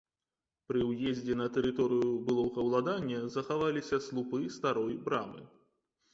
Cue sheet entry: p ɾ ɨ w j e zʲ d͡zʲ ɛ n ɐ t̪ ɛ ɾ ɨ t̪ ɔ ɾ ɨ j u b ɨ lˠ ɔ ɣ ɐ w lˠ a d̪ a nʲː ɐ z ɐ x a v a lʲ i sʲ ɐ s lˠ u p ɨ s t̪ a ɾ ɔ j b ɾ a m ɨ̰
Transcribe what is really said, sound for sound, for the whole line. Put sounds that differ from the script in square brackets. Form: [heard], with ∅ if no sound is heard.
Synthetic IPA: p ɾ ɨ w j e zʲ d͡zʲ ɛ n ɐ t̪ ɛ ɾ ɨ t̪ ɔ ɾ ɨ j u b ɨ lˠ ɔ ɣ ɐ w lˠ a d̪ a nʲː ɐ z ɐ x a v a lʲ i sʲ ɐ s lˠ u p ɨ s t̪ a ɾ ɔ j b ɾ a m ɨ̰